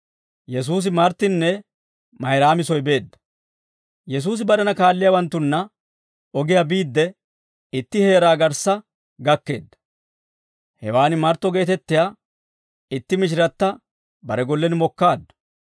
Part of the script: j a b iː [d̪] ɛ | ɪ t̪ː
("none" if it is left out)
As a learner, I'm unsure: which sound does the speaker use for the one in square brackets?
d̪ː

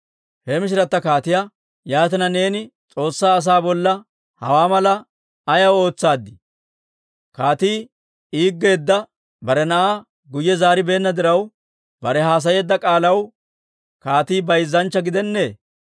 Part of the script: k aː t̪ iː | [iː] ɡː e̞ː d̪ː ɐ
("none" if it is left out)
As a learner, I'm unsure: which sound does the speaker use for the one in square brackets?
iː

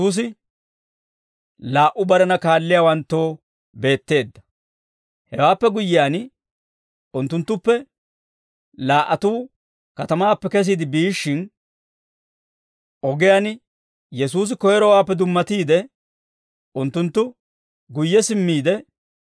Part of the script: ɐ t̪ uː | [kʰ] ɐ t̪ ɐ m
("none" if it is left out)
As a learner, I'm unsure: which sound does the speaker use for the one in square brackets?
k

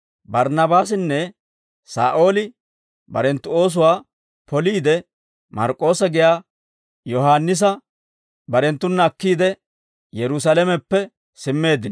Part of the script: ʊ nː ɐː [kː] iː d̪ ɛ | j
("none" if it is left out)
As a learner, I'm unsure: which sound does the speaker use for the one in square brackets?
kː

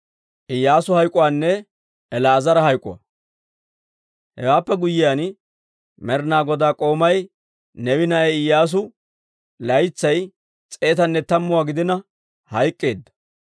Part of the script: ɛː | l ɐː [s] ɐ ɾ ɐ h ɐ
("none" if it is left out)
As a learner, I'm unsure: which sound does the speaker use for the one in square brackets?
z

